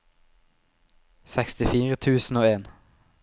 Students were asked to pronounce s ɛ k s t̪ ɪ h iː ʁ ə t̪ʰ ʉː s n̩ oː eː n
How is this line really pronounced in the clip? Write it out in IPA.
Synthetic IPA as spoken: s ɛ k s t̪ ɪ f iː ʁ ə t̪ʰ ʉː s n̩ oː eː n